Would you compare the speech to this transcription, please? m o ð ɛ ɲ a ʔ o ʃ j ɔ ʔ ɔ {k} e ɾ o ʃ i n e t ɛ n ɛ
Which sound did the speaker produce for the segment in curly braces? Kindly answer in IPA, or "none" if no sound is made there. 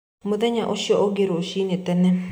ɡ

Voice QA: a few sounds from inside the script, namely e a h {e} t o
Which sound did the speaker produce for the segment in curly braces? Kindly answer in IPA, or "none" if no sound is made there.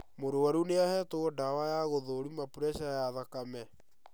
ɛ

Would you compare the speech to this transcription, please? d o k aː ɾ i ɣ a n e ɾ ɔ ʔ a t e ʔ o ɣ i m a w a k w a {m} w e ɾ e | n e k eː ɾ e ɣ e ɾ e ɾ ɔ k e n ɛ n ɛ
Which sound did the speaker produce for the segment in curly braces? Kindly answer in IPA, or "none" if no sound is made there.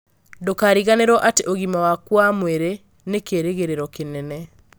m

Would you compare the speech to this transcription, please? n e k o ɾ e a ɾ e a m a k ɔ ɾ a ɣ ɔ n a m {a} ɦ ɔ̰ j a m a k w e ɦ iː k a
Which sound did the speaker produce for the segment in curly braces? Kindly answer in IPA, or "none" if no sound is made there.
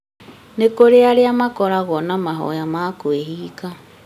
a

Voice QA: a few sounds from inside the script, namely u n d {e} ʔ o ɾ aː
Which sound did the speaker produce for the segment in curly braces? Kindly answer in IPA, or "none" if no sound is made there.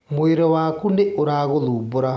e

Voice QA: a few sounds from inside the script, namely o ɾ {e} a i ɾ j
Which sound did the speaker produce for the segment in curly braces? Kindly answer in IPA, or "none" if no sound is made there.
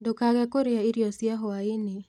e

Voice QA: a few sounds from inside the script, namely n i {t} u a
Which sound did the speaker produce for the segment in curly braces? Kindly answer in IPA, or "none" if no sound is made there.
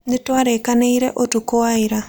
t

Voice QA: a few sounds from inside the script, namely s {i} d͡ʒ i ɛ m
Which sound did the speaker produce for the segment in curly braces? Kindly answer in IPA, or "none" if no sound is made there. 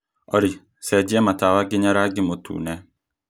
ɛ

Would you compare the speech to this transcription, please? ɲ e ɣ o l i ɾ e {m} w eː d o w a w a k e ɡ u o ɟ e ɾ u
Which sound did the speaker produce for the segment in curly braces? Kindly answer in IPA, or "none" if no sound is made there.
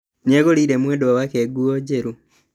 m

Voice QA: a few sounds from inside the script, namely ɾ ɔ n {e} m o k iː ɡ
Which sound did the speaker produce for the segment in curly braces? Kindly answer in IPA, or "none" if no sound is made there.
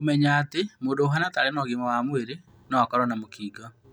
a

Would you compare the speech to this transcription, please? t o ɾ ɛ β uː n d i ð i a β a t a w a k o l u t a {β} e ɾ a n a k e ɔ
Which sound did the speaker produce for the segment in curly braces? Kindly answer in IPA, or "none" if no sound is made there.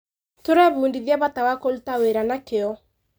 w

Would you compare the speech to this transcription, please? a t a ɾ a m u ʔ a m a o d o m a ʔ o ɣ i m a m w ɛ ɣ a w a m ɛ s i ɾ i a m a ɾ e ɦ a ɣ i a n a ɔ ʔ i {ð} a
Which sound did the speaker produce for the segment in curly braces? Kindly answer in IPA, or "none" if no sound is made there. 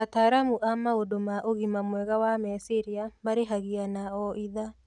ð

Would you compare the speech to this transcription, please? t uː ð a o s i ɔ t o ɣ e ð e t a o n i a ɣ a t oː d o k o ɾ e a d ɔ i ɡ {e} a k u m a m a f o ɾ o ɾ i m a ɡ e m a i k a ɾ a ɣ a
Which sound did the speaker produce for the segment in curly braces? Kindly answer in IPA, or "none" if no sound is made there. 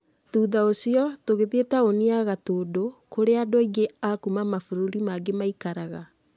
e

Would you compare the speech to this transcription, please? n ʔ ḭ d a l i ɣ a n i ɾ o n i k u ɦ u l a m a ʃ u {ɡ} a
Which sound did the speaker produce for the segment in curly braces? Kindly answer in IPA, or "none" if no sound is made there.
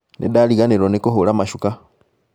k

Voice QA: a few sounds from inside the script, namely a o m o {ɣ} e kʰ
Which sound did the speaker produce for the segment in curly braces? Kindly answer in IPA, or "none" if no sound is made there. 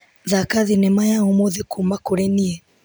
ð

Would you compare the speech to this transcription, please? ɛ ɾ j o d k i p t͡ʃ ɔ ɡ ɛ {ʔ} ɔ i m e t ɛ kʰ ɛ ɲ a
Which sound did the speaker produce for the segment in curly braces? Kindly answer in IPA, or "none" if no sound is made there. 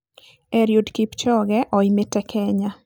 ʔ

